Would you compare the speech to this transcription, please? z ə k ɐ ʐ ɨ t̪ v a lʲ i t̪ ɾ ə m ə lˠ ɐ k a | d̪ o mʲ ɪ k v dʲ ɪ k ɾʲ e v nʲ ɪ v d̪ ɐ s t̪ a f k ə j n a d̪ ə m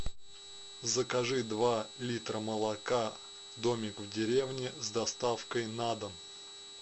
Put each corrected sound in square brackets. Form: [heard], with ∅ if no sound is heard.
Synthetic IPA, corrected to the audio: z ə k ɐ ʐ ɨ [d̪] v a lʲ i t̪ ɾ ə m ə lˠ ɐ k a | d̪ o mʲ ɪ k v dʲ ɪ [∅] ɾʲ e v nʲ ɪ [z] d̪ ɐ s t̪ a f k ə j n a d̪ ə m